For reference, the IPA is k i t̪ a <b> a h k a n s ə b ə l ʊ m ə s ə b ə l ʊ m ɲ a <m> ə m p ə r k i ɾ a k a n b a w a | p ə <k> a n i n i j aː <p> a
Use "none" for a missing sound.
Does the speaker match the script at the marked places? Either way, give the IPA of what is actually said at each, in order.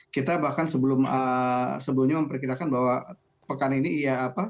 b, m, k, p

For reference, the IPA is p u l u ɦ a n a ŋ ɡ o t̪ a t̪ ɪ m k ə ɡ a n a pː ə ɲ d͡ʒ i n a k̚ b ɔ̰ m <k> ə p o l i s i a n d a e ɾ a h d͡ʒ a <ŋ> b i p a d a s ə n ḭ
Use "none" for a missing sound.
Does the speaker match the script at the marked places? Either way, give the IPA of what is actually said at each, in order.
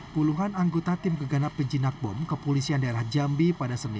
k, m

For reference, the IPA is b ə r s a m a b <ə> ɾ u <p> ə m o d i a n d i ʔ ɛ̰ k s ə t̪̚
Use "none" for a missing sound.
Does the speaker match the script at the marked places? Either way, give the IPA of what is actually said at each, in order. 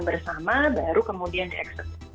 a, k

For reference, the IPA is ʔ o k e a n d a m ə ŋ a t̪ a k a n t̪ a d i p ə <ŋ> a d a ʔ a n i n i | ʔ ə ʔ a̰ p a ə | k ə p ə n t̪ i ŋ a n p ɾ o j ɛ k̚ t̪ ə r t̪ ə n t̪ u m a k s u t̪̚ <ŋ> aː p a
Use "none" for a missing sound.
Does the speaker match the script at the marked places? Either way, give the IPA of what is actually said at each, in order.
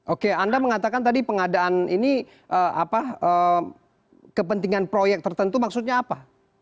ŋ, ɲ

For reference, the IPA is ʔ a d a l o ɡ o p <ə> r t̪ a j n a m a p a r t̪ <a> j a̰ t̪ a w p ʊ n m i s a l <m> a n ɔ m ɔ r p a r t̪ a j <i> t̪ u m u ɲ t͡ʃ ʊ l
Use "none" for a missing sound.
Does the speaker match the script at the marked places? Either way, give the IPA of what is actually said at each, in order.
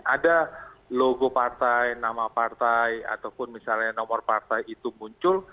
a, a, ɲ, i

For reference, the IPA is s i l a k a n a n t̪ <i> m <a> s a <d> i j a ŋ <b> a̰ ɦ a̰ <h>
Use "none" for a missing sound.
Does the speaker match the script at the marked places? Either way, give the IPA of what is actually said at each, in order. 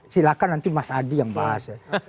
i, a, d, b, s

